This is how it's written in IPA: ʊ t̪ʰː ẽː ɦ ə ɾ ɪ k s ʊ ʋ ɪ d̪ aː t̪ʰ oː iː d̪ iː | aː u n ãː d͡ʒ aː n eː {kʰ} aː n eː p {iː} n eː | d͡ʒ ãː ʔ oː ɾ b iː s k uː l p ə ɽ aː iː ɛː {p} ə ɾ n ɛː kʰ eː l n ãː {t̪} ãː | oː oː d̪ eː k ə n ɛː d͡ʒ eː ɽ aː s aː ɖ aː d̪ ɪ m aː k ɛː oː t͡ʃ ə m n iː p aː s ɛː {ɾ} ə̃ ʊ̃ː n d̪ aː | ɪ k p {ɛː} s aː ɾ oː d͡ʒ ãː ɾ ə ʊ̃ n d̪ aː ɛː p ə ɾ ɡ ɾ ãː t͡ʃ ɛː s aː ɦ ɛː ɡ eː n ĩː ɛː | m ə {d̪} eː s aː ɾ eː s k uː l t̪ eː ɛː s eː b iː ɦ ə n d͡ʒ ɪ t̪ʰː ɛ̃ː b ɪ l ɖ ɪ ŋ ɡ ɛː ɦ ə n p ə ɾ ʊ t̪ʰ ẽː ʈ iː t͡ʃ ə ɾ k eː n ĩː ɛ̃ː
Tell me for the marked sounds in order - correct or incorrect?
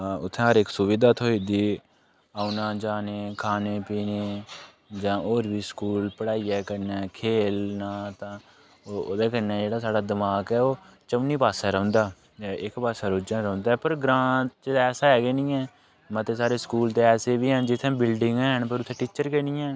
correct, correct, incorrect, correct, correct, incorrect, incorrect

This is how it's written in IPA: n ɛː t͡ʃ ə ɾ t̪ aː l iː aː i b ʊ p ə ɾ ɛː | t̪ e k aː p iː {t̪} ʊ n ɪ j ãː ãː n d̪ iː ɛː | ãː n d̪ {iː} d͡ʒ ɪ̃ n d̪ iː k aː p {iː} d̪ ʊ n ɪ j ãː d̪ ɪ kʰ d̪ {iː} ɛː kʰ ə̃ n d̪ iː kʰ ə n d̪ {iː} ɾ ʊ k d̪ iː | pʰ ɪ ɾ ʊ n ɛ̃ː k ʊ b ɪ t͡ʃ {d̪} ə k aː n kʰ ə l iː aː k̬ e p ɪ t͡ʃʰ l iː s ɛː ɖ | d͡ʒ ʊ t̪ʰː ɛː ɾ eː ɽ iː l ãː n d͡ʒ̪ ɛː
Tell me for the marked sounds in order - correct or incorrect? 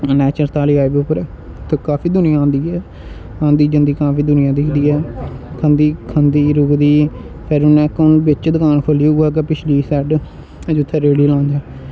incorrect, correct, correct, correct, correct, correct

